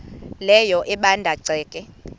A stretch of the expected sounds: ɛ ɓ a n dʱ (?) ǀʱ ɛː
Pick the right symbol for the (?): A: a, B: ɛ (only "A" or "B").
A